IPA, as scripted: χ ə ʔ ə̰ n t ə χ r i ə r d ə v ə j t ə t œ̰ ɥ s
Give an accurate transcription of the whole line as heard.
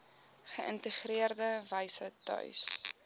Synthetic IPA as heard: χ ə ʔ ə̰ n t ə χ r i ə r d ə v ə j s ə t œ̰ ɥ s